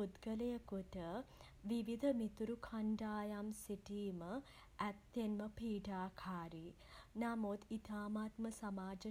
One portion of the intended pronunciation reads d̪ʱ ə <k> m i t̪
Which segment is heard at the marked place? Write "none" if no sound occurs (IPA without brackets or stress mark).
none